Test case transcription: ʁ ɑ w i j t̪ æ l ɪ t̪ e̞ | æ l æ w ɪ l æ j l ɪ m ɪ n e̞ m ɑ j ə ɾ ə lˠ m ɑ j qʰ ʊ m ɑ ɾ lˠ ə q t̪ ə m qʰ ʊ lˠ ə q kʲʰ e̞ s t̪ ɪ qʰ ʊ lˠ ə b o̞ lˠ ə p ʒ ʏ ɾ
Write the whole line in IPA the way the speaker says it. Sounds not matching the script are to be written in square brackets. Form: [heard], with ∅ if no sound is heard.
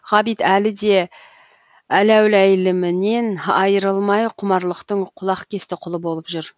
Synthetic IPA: ʁ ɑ [b] i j t̪ æ l ɪ [d̪] e̞ | æ l æ w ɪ l æ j l ɪ m ɪ n e̞ [n] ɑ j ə ɾ ə lˠ m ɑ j qʰ ʊ m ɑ ɾ lˠ ə q t̪ ə [ɴ] qʰ ʊ lˠ [ɑ] q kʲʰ e̞ s t̪ ɪ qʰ ʊ lˠ ə b o̞ lˠ ə p ʒ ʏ ɾ

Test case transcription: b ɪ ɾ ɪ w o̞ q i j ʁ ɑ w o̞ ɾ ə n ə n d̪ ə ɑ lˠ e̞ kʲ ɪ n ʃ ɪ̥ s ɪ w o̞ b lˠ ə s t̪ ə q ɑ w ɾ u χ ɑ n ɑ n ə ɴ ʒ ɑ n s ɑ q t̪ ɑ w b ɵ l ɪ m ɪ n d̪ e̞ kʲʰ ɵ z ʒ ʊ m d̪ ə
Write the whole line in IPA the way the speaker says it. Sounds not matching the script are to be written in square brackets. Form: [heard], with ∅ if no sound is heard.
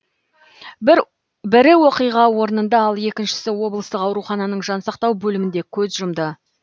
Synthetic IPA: b ɪ ɾ ɪ w o̞ q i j ʁ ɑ w o̞ ɾ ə n ə n d̪ [ɑ] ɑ lˠ e̞ kʲ ɪ n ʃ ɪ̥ s ɪ w o̞ b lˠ ə s t̪ ə q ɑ w ɾ u χ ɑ n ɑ n ə ɴ ʒ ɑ n s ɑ q t̪ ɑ w b ɵ l ɪ m ɪ n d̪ e̞ kʲʰ ɵ z ʒ ʊ m d̪ ə

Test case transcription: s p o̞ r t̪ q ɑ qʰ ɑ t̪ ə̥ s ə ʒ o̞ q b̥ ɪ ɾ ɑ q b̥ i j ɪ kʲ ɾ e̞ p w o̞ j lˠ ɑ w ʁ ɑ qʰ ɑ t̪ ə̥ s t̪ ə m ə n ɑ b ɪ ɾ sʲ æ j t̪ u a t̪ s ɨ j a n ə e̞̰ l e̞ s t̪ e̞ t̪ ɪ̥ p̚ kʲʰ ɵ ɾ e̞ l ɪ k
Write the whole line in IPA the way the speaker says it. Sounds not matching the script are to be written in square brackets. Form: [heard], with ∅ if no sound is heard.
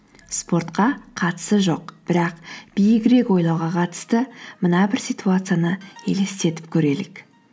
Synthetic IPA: s p o̞ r t̪ q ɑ qʰ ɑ t̪ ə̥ s ə ʒ o̞ q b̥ ɪ ɾ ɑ q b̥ i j ɪ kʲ ɾ e̞ [k] w o̞ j lˠ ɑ w ʁ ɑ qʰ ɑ t̪ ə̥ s t̪ ə m ə n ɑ b ɪ ɾ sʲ [i] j t̪ u a t̪ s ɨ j a n ə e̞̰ l e̞ s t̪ e̞ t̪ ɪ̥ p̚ kʲʰ ɵ ɾ e̞ l ɪ k

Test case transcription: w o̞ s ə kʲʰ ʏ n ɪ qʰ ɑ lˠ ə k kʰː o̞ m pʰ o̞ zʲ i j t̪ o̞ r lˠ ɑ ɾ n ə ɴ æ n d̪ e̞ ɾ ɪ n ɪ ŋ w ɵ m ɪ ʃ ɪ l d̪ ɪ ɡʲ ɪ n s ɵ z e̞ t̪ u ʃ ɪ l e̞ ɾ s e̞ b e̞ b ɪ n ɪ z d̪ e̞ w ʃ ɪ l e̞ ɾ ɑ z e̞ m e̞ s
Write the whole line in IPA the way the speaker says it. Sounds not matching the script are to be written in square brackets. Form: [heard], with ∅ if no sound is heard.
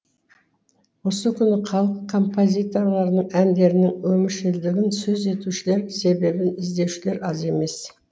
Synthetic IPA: w o̞ s ə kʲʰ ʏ n ɪ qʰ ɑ lˠ ə [q] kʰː o̞ m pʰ o̞ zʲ i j t̪ o̞ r lˠ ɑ ɾ n ə ɴ æ n d̪ e̞ ɾ ɪ n ɪ ŋ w ɵ m ɪ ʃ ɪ l d̪ ɪ ɡʲ ɪ n s ɵ z e̞ t̪ u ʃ ɪ l e̞ ɾ s e̞ b e̞ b ɪ n ɪ z d̪ e̞ w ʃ ɪ l e̞ ɾ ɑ z e̞ m e̞ s

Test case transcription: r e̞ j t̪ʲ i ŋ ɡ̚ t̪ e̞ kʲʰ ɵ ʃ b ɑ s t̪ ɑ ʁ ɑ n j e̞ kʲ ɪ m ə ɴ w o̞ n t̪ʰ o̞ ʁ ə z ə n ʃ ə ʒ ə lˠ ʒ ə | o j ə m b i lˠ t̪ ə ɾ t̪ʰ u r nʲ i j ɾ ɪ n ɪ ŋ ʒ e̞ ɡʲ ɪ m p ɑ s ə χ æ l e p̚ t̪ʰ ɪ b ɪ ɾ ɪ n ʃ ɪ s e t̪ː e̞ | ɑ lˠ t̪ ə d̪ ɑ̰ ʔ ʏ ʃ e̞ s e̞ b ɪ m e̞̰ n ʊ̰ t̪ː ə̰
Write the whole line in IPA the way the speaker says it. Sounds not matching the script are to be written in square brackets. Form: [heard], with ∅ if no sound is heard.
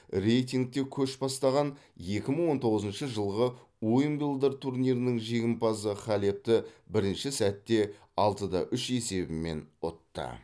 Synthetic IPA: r e̞ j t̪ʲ i ŋ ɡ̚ t̪ e̞ kʲʰ ɵ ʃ b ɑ s t̪ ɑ ʁ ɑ n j e̞ kʲ ɪ m ə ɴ w o̞ n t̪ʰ o̞ ʁ ə z ə n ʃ ə ʒ ə lˠ [ʁ] ə | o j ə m b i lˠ [d̪] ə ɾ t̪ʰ u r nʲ i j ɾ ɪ n ɪ ŋ ʒ e̞ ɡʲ ɪ m p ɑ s ə χ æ l e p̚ [t̪] ɪ b ɪ ɾ ɪ n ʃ ɪ s [æ] t̪ː e̞ | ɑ lˠ t̪ ə d̪ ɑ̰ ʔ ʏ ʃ e̞ s e̞ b ɪ m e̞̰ n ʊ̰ t̪ː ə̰

